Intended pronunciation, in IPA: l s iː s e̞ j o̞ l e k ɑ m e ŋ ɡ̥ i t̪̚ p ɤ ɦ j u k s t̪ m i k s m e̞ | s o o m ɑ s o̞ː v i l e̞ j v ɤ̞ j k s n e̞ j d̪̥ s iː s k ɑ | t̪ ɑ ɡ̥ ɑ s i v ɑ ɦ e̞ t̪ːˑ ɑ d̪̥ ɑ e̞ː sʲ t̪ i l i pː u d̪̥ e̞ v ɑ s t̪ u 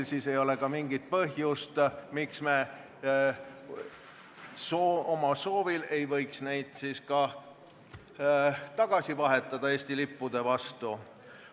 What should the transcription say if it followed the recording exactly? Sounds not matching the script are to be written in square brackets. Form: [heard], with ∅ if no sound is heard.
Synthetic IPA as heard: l s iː s e̞ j o̞ l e k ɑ m [i] ŋ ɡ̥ i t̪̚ p ɤ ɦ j u [∅] s t̪ m i k s m e̞ | s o o m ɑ s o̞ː v i l e̞ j v ɤ̞ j k s n e̞ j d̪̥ s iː s k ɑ | t̪ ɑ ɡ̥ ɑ s i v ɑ ɦ e̞ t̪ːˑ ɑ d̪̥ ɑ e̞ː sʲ t̪ i l i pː u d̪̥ e̞ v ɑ s t̪ u